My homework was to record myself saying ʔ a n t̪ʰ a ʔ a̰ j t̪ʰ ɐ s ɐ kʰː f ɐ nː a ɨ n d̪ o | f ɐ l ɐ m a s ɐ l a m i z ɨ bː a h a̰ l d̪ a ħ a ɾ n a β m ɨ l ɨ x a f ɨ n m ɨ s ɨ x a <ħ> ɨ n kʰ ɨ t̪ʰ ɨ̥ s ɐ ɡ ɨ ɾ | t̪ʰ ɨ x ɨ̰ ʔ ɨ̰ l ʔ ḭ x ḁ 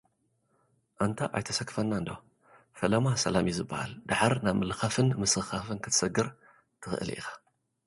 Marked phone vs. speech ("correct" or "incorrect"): incorrect